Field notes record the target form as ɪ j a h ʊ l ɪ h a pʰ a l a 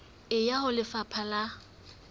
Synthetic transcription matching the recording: ɪ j a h ʊ l ɪ f a pʰ a l a